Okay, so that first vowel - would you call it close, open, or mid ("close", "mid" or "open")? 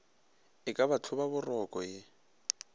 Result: close